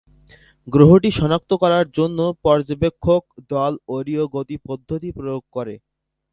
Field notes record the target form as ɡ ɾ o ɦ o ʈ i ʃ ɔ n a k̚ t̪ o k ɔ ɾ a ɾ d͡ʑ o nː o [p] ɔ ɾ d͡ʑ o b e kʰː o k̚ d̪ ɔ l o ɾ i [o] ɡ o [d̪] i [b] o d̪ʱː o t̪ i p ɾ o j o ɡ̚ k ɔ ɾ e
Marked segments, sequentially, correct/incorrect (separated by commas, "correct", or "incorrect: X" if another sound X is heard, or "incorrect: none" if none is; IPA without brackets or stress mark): correct, correct, incorrect: t̪, incorrect: p